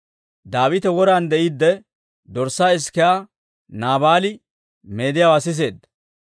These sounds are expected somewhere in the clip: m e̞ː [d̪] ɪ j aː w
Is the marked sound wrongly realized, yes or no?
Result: no